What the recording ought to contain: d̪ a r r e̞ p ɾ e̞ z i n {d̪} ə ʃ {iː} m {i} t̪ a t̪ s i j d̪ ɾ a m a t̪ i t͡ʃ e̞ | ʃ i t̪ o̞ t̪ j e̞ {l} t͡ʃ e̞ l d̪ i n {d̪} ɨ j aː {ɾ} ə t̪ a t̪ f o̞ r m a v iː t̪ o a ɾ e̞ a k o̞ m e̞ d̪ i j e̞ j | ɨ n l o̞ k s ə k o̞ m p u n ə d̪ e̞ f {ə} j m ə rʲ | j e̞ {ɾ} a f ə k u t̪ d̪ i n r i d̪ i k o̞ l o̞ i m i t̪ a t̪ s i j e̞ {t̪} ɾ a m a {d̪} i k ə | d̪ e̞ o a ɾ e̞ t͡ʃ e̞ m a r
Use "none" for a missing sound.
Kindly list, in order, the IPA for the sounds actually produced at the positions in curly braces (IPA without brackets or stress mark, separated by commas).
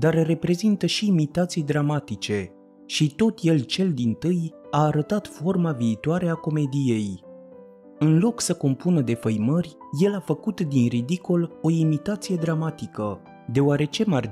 t̪, iː, i, l, t̪, ɾ, ə, l, d̪, t̪